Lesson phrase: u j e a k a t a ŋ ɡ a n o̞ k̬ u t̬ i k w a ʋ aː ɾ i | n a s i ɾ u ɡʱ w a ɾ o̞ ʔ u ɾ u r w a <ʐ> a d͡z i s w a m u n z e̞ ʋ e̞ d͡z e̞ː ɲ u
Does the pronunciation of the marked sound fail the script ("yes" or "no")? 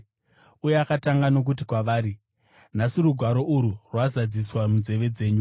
yes